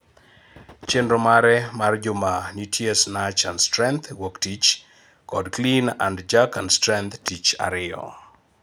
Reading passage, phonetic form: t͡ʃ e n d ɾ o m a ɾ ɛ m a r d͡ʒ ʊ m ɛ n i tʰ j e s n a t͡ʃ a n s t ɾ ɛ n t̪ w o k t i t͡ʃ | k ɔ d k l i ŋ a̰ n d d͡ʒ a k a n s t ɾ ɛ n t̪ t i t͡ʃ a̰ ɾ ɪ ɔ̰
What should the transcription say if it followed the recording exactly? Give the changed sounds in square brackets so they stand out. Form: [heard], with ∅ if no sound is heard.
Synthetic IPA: t͡ʃ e n d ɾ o m a ɾ ɛ m a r d͡ʒ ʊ m [a] n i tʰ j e s n a t͡ʃ a n s t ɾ ɛ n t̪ w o k t i t͡ʃ | k ɔ d k l i [n] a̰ n d d͡ʒ a k a n s t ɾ ɛ n t̪ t i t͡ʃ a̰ ɾ ɪ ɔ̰